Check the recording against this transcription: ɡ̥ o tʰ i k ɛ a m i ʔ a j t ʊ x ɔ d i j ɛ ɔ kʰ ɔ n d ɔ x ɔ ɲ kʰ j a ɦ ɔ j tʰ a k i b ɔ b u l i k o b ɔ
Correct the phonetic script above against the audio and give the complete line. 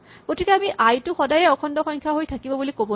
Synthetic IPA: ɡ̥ o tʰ i k ɛ a m i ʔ a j t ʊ x ɔ d a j ɛ ɔ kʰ ɔ n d ɔ x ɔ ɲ kʰ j a ɦ o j tʰ a k i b ɔ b u l i k o b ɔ